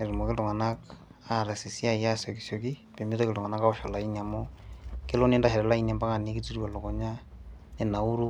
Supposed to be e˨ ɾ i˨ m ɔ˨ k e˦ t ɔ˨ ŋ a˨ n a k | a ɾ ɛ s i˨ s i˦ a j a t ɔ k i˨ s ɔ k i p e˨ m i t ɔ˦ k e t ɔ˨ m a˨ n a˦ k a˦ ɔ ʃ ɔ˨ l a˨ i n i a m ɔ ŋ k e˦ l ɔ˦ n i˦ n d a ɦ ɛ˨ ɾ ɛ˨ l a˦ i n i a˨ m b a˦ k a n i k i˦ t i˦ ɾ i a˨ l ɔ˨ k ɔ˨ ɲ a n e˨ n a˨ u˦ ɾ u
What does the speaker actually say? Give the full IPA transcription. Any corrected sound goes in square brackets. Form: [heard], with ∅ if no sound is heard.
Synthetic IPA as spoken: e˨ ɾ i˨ m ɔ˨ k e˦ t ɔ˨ ŋ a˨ n a k | a ɾ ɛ s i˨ s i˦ a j a [s] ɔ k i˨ s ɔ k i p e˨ m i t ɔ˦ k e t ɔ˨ [ŋ] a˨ n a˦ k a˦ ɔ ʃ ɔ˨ l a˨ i n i a m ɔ [∅] k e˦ l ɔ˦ n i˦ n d a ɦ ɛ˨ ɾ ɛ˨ l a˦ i n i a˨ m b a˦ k a n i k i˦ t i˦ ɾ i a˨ l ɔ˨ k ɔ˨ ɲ a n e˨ n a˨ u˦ ɾ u